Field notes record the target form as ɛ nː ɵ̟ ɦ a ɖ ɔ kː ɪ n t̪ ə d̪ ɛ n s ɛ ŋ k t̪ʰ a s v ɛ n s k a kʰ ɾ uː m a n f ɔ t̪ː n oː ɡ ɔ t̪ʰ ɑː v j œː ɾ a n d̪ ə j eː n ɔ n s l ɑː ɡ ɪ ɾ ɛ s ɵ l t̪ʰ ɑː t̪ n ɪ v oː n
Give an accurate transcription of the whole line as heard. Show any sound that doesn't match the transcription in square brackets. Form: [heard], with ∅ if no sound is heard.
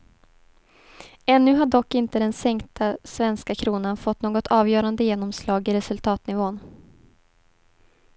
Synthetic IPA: ɛ nː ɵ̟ ɦ a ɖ ɔ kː ɪ n t̪ ə d̪ ɛ n s ɛ ŋ k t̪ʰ a s v ɛ n s k a kʰ ɾ uː [n] a n f ɔ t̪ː n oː ɡ ɔ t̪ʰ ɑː v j œː ɾ a n d̪ ə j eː n ɔ [m] s l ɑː ɡ ɪ ɾ ɛ s ɵ l t̪ʰ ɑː t̪ n ɪ v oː n